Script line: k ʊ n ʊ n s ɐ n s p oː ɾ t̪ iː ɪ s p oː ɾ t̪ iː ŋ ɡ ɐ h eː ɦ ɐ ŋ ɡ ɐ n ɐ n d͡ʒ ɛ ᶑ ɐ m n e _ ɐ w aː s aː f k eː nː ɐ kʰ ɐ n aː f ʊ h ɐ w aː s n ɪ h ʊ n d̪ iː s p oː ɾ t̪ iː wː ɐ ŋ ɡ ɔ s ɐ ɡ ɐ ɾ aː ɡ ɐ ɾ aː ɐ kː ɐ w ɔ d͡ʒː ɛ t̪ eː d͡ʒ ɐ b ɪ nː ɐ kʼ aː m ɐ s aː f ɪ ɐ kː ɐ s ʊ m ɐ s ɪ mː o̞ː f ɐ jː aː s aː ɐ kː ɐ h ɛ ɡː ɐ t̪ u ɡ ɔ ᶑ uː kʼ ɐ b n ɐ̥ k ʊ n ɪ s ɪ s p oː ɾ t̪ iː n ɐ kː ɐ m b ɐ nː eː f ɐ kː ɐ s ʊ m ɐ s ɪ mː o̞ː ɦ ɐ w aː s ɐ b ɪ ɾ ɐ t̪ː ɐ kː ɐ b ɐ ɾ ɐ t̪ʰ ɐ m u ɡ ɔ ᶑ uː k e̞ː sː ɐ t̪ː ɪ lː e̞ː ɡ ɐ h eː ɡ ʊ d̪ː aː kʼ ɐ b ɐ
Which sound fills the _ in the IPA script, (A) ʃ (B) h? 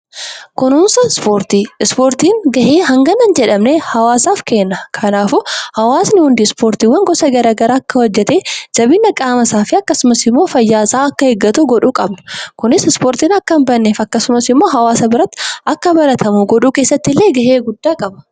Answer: B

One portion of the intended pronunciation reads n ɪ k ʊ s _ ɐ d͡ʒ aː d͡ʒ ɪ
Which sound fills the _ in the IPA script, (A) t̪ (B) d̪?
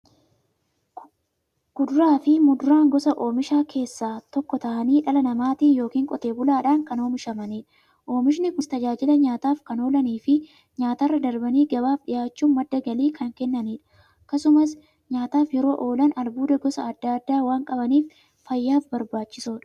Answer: A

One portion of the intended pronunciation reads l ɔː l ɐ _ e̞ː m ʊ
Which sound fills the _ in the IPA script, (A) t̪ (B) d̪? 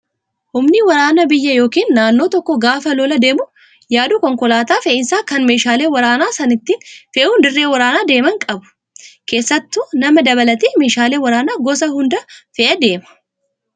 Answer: B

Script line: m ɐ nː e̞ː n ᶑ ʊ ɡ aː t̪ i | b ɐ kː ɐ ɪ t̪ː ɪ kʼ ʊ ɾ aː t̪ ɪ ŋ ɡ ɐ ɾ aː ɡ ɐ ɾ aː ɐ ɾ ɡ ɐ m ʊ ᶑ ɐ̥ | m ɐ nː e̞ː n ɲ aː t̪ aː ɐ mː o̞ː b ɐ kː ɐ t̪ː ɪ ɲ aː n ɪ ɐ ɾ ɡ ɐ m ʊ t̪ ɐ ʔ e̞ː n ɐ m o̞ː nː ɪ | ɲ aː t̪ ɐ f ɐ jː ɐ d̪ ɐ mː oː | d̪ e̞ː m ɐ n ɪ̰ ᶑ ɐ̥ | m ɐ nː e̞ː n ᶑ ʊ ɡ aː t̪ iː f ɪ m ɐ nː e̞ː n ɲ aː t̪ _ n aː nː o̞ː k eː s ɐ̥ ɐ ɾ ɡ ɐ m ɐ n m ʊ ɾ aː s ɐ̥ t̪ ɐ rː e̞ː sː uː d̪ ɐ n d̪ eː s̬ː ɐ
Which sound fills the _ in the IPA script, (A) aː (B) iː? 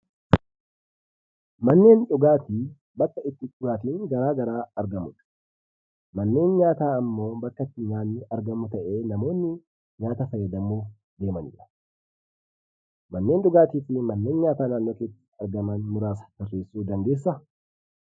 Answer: A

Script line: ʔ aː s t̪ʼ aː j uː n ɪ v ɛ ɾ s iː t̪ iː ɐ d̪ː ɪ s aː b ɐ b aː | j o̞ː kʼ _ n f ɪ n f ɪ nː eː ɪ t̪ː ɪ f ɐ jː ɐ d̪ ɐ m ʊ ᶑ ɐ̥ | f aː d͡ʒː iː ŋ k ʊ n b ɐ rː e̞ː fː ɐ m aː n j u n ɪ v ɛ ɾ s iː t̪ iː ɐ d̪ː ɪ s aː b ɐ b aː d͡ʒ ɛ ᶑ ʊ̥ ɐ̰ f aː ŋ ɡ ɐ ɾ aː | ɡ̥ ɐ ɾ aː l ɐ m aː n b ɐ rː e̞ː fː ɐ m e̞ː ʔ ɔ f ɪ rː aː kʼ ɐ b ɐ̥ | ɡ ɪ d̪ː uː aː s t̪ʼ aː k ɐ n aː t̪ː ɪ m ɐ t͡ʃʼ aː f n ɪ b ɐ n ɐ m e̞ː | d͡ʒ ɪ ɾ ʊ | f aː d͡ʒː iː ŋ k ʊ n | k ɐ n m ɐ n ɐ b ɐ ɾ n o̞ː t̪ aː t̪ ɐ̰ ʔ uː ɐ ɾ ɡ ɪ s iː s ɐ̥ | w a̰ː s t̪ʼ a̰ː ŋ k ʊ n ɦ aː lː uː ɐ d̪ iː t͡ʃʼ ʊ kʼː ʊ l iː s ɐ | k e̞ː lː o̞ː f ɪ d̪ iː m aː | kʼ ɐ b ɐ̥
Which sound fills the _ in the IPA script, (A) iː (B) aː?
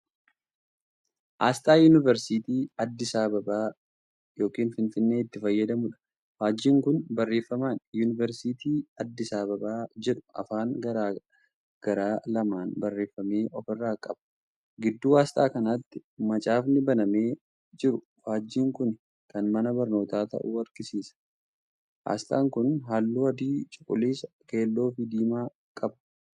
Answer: A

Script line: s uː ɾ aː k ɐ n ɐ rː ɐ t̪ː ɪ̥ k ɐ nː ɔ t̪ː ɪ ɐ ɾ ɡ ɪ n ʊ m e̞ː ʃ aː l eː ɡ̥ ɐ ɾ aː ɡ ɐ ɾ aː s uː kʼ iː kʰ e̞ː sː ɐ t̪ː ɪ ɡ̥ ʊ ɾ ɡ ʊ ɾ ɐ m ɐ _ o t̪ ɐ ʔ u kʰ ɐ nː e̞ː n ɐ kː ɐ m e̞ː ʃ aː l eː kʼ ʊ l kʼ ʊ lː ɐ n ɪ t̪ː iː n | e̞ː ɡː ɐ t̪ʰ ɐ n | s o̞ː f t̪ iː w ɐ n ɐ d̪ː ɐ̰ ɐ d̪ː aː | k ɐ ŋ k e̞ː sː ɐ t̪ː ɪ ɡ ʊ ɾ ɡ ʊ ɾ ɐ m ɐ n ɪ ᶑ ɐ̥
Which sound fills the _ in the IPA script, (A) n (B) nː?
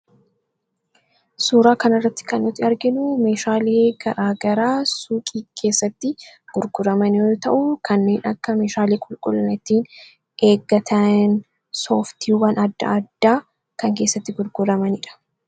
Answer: A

